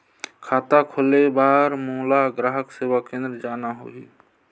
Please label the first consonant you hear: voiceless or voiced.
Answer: voiceless